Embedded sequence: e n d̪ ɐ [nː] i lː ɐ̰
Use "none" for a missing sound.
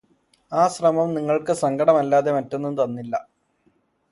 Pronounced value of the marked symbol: nː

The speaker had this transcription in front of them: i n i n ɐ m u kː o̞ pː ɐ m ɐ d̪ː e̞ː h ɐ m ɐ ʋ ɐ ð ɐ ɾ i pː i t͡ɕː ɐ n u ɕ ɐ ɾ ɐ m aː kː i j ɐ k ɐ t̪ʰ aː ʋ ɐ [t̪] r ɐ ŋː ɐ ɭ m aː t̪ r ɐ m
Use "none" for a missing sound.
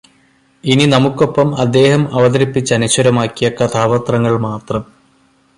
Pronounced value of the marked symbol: t̪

